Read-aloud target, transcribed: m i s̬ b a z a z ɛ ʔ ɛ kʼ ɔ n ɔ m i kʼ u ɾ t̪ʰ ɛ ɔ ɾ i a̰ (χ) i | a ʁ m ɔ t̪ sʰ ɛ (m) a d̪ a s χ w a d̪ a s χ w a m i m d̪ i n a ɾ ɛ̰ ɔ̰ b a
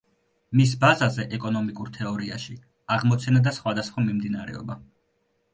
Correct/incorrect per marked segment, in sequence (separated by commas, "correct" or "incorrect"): incorrect, incorrect